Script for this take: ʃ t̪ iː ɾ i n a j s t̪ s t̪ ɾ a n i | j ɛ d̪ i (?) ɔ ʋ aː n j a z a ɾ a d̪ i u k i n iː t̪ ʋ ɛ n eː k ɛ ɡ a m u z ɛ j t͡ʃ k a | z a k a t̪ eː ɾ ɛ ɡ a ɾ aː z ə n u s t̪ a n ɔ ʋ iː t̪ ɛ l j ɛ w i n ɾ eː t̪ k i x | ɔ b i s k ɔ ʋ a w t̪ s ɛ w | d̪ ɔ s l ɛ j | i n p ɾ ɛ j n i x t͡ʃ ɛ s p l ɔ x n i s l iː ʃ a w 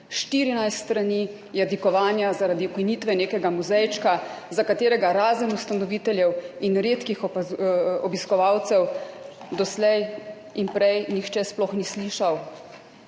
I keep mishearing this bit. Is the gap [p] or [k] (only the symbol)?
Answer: k